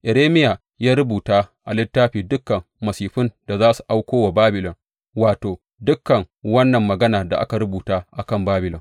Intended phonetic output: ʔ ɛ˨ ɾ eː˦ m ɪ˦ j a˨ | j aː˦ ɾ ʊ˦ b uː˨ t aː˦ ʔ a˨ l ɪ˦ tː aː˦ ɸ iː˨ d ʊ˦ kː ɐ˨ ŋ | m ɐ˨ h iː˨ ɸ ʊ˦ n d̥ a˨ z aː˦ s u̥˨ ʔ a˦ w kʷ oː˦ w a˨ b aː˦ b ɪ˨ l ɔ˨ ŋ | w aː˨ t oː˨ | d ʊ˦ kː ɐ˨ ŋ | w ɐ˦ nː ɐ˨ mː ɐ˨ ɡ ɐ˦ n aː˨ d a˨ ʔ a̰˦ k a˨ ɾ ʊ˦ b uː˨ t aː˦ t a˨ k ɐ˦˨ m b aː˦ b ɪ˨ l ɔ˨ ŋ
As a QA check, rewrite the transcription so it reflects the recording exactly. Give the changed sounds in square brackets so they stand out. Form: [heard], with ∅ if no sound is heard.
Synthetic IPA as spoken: ʔ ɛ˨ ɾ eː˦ m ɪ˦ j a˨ | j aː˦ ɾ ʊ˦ b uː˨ t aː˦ ʔ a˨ l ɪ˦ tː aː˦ ɸ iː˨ d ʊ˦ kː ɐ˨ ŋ | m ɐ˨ [s] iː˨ ɸ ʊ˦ n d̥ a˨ z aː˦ s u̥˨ ʔ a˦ w kʷ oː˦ w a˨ b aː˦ b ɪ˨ l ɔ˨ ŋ | w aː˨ t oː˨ | d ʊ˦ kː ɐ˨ ŋ | w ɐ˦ nː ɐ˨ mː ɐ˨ ɡ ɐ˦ n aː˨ d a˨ ʔ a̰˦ k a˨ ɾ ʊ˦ b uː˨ t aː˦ [ʔ] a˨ k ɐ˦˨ m b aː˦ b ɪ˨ l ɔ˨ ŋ